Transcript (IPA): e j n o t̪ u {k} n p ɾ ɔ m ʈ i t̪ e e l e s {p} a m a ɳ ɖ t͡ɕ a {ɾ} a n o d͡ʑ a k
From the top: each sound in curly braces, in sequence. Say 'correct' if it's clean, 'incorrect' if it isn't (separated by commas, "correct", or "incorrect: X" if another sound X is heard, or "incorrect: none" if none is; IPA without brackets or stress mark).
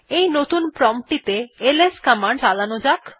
incorrect: none, incorrect: k, incorrect: l